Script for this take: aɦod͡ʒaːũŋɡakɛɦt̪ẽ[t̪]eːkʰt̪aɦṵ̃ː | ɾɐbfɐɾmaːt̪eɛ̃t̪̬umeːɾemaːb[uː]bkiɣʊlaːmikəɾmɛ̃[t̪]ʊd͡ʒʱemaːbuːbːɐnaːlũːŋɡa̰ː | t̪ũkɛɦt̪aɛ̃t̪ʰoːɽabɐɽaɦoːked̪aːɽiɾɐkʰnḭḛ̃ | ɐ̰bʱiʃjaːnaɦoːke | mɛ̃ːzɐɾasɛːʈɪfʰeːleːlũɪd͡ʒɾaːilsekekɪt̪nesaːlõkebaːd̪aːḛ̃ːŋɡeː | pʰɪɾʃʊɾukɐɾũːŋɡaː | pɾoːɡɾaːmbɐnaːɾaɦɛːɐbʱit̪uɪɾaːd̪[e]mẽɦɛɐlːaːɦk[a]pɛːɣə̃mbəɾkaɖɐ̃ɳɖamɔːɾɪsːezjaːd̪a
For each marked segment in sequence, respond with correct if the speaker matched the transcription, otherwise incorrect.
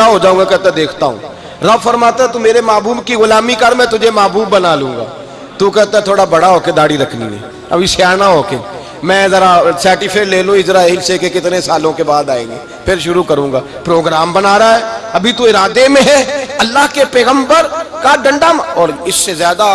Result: incorrect: d̪, correct, correct, correct, incorrect: e

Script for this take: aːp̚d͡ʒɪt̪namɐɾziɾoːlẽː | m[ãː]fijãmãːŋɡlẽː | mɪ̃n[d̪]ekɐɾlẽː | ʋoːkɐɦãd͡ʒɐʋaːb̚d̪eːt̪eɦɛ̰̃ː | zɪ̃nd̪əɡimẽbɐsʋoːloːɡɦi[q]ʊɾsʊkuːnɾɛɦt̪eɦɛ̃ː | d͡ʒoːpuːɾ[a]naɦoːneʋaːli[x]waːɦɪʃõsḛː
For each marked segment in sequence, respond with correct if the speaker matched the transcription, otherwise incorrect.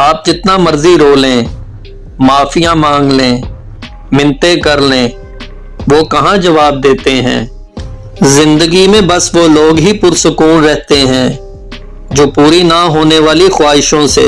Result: incorrect: aː, incorrect: t̪, incorrect: p, incorrect: i, correct

